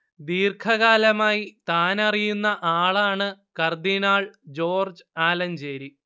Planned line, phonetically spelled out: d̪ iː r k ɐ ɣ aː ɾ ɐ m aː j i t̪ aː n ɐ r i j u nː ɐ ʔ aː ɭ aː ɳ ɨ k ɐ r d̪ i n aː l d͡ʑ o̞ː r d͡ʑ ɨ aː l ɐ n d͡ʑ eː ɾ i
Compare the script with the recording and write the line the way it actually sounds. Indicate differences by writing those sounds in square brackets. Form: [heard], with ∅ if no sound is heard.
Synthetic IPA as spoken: d̪ iː r [kʰ] ɐ ɣ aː [l] ɐ m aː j i t̪ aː n ɐ r i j u nː ɐ ʔ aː ɭ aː ɳ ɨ k ɐ r d̪ i n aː [ɭ] d͡ʑ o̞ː r d͡ʑ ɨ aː l ɐ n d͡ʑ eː ɾ i

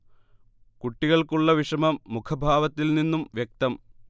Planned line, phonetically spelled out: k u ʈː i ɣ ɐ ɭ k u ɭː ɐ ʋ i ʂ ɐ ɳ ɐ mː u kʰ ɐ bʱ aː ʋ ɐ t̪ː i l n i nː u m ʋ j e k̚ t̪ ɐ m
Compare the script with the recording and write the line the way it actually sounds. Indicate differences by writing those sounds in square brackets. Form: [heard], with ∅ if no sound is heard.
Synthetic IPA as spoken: k u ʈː i ɣ ɐ ɭ k u ɭː ɐ ʋ i ʂ ɐ [m] ɐ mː u kʰ ɐ bʱ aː ʋ ɐ t̪ː i l n i nː u m ʋ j e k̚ t̪ ɐ m

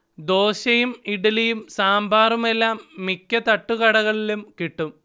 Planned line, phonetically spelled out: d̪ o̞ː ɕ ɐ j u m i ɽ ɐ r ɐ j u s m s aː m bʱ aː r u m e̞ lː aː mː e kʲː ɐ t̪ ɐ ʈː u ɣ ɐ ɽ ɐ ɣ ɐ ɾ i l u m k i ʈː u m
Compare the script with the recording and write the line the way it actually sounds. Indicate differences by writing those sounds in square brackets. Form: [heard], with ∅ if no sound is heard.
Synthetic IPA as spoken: d̪ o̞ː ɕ ɐ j u m i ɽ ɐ [l] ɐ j u [∅] m s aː m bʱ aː r u m e̞ lː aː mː [i] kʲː ɐ t̪ ɐ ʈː u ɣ ɐ ɽ ɐ ɣ ɐ [ɭ] i l u m k i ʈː u m

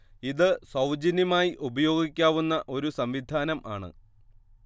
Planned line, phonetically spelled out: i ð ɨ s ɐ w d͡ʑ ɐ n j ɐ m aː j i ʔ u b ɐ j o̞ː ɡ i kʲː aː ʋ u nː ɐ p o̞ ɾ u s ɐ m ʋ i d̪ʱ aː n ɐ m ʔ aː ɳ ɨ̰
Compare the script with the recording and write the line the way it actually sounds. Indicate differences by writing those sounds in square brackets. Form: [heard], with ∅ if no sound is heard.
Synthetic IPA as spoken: i ð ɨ s ɐ w d͡ʑ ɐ n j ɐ m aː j i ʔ u b ɐ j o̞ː ɡ i kʲː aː ʋ u nː ɐ [ʔ] o̞ ɾ u s ɐ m ʋ i d̪ʱ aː n ɐ m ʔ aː ɳ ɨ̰

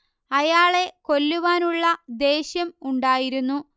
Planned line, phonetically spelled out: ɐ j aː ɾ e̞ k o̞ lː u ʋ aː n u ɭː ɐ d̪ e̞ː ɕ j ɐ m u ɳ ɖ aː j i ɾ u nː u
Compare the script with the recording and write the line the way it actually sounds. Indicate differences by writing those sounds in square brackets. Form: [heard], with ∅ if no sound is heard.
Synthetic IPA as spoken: ɐ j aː [ɭ] e̞ k o̞ lː u ʋ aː n u ɭː ɐ d̪ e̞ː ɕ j ɐ m u ɳ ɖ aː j i ɾ u nː u

